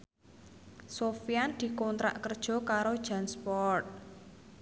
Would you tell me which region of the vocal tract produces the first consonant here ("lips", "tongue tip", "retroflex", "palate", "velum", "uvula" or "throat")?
tongue tip